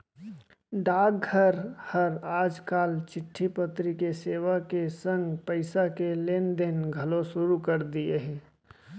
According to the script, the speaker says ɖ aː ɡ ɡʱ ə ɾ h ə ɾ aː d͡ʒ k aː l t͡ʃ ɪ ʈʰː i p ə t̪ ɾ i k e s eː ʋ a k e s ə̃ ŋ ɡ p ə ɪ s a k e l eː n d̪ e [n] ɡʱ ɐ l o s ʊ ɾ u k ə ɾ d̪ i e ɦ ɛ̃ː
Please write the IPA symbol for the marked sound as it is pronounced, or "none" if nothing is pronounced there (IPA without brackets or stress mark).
n